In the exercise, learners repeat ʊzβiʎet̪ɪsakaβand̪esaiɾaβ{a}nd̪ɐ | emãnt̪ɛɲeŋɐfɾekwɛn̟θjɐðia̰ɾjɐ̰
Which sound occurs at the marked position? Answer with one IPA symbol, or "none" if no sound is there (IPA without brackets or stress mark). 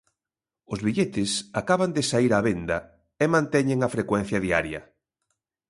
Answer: e